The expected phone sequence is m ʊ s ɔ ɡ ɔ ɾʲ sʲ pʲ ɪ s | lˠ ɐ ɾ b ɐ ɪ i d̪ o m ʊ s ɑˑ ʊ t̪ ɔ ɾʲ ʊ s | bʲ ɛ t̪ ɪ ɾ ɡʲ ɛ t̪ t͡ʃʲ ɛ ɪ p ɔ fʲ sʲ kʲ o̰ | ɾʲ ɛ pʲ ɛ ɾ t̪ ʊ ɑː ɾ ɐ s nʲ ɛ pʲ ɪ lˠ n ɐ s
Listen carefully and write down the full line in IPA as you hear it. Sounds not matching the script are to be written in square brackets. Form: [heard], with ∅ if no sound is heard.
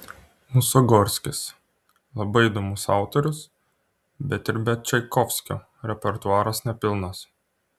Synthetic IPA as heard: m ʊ s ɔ ɡ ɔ ɾʲ sʲ [kʲ] ɪ s | lˠ ɐ [∅] b ɐ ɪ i d̪ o m ʊ s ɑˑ ʊ t̪ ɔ ɾʲ ʊ s | bʲ ɛ t̪ ɪ ɾ [bʲ] ɛ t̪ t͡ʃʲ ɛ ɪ [k] ɔ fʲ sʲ kʲ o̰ | ɾʲ ɛ pʲ ɛ ɾ t̪ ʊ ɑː ɾ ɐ s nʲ ɛ pʲ ɪ lˠ n ɐ s